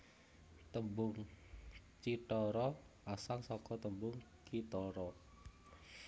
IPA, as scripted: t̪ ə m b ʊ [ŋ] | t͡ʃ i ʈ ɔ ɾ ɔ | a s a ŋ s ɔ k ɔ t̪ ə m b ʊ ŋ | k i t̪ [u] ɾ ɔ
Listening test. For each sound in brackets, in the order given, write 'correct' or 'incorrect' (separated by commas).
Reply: correct, incorrect